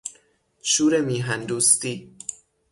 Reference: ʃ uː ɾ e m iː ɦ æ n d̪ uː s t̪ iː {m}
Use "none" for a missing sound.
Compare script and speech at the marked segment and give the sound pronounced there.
none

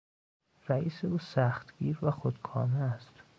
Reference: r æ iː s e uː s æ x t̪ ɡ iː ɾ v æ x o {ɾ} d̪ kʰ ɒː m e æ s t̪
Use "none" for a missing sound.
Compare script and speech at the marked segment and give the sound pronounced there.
none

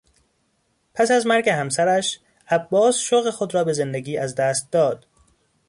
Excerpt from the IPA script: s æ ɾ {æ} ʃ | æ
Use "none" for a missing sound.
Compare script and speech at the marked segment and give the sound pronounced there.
æ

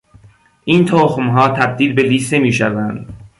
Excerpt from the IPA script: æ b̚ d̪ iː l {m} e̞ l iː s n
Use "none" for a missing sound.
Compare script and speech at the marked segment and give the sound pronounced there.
b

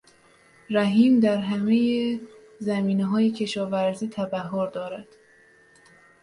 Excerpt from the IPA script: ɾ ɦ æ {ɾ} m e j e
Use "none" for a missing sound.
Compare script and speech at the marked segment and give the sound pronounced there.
none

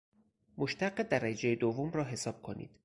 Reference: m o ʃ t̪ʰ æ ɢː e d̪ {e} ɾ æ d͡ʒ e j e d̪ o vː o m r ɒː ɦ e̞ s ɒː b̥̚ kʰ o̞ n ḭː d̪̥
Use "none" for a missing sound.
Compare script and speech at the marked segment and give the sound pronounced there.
æ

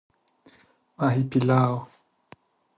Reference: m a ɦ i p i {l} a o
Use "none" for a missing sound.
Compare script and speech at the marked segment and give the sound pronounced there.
l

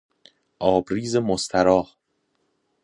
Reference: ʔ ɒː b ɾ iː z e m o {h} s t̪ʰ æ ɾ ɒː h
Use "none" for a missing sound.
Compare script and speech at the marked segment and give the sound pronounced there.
none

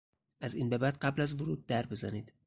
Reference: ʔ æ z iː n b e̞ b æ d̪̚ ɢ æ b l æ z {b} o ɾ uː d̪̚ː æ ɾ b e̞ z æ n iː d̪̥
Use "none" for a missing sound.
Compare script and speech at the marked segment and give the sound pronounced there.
v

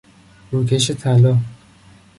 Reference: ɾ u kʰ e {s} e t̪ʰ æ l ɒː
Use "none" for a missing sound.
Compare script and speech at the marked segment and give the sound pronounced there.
ʃ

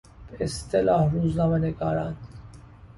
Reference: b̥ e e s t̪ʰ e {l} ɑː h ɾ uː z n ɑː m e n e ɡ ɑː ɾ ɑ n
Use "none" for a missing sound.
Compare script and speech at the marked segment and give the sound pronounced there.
l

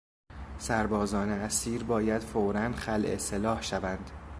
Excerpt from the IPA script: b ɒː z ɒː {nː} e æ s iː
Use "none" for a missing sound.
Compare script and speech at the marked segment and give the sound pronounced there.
n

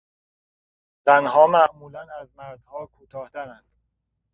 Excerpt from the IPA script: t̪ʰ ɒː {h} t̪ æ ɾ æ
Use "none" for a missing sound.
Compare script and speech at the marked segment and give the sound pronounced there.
h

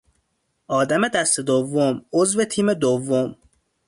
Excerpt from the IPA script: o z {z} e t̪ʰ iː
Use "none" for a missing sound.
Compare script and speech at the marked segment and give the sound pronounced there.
v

